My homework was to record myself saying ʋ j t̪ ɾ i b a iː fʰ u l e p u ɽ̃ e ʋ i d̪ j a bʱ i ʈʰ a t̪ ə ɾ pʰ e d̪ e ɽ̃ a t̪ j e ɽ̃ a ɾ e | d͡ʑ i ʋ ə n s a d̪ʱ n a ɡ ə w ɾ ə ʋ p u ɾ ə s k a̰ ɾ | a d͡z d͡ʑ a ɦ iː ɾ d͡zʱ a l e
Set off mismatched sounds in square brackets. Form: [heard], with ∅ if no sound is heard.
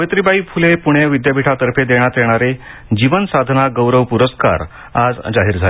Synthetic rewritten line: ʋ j t̪ ɾ i b a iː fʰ u l e p u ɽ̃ e ʋ i d̪ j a bʱ i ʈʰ a t̪ ə ɾ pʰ e d̪ e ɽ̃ a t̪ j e ɽ̃ a ɾ e | d͡ʑ i ʋ ə n s a d̪ʱ n a ɡ ə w ɾ ə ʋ p u ɾ ə s k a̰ ɾ | a d͡z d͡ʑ a ɦ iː ɾ d͡zʱ a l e